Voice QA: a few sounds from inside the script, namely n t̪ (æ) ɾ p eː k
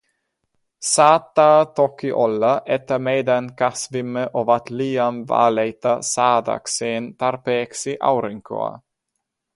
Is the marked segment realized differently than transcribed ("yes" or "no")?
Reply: yes